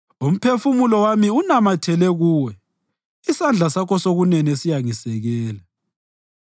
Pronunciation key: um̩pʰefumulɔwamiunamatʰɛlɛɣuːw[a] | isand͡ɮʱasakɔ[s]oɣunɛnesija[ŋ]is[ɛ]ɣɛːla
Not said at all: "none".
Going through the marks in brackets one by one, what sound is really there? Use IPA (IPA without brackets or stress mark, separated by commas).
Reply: ɛ, s, ŋ, ɛ